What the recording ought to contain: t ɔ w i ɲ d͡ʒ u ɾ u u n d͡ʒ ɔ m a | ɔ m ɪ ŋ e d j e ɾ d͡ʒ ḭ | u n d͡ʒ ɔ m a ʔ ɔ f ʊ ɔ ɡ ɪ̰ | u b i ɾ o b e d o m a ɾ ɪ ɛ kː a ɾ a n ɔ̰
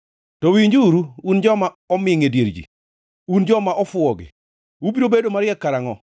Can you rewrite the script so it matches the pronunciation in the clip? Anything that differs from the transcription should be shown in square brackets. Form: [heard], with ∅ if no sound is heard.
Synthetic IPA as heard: t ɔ w i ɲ d͡ʒ u ɾ u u n d͡ʒ ɔ m a | ɔ m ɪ ŋ e d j e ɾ d͡ʒ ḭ | u n d͡ʒ ɔ m a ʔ ɔ f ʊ ɔ ɡ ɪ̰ | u b i ɾ o b e d o m a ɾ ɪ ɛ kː a ɾ a [ŋ] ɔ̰